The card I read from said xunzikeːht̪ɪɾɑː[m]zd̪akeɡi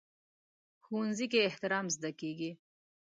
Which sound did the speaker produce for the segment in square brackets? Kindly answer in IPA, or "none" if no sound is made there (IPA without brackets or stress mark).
m